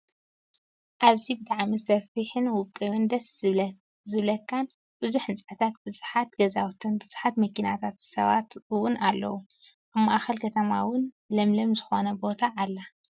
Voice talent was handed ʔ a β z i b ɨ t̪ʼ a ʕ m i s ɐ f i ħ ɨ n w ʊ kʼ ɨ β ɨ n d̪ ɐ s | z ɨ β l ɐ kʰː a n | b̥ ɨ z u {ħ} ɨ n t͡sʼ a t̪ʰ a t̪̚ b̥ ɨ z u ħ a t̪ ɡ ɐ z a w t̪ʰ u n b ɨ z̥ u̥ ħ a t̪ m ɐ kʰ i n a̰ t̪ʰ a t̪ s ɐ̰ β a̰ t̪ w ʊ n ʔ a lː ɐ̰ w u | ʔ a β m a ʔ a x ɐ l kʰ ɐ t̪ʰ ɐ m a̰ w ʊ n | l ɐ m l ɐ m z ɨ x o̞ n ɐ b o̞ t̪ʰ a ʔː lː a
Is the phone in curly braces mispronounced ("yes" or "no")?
no